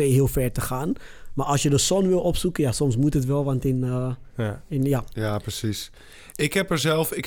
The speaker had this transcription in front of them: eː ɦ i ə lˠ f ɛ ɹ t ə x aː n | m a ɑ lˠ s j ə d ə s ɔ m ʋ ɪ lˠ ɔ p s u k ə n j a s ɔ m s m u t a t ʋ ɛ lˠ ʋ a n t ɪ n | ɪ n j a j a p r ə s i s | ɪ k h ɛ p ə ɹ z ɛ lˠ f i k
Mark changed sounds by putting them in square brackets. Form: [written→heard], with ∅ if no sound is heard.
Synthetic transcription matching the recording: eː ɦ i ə lˠ f ɛ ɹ t ə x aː n | m a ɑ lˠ s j ə d ə s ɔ [m→n] ʋ ɪ lˠ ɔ p s u k ə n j a s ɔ m s m u t [a→ə] t ʋ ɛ lˠ ʋ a n t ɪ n | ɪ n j a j a p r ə s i s | ɪ k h ɛ p ə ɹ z ɛ lˠ f [i→ɪ] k